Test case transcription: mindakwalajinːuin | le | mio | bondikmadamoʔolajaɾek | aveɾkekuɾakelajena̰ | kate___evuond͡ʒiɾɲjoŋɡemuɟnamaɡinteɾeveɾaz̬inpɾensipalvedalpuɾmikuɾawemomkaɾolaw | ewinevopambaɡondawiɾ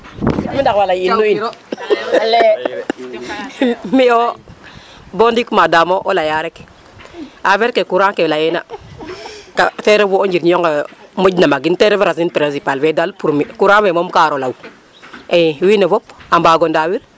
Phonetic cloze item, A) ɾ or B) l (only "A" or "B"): A